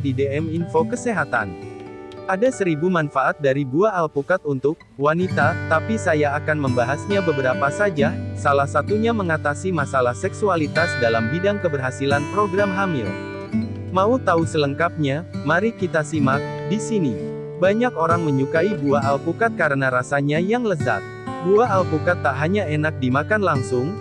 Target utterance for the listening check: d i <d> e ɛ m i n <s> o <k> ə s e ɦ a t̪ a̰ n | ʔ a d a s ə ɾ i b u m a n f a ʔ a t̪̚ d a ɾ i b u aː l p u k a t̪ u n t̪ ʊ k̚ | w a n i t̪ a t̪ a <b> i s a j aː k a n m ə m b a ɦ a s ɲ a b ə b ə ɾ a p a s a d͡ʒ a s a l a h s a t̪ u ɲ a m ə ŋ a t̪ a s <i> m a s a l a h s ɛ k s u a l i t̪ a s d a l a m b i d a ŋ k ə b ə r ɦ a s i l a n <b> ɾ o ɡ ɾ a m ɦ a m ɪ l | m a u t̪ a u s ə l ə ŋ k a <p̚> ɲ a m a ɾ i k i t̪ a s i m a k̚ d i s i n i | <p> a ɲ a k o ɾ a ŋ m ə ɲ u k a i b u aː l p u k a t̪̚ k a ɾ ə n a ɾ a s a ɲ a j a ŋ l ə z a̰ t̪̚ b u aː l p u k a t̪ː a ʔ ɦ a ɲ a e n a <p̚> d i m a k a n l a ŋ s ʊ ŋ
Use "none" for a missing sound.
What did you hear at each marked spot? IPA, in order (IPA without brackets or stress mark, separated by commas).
d, f, k, p, i, p, p̚, b, k̚